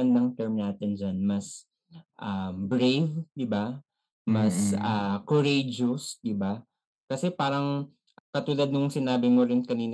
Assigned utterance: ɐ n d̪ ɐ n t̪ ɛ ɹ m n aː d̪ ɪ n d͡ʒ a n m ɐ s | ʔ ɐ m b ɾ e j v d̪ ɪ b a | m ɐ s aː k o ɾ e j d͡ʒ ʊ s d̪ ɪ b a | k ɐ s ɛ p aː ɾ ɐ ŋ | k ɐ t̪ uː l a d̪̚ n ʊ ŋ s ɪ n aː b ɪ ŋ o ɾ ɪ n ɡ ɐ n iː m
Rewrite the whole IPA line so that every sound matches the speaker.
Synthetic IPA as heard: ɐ n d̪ ɐ ŋ t̪ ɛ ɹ m n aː t̪ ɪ n d͡ʒ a n m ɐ s | ʔ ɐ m b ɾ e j v d̪ ɪ b a | m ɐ s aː k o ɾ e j d͡ʒ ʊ s d̪ ɪ b a | k ɐ s ɛ p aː ɾ ɐ ŋ | k ɐ t̪ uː l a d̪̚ n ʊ ŋ s ɪ n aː b ɪ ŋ o ɾ ɪ n k ɐ n iː n